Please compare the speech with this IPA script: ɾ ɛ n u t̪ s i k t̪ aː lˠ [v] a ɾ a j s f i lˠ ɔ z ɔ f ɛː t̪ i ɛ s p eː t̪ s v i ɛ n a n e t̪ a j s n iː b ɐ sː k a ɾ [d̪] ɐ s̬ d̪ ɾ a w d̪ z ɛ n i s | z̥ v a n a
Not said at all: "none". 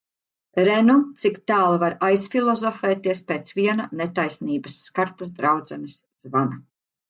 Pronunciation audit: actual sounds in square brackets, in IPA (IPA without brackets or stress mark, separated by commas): v, t̪